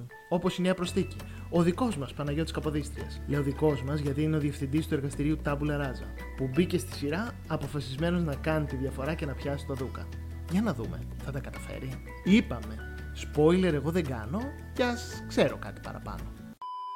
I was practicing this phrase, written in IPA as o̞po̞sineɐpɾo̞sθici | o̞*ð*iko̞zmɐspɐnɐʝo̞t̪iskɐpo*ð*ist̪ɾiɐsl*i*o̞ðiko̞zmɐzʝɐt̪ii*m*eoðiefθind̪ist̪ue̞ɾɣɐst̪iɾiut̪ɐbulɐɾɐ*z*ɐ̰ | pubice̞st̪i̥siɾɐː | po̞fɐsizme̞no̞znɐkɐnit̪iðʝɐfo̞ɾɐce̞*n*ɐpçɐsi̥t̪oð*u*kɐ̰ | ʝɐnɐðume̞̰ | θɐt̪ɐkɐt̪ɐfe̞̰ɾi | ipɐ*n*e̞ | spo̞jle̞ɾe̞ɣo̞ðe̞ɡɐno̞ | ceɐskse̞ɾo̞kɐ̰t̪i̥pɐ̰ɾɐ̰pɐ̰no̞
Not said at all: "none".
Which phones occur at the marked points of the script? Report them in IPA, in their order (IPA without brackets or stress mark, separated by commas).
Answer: ð, ð, e, n, z, n, u, m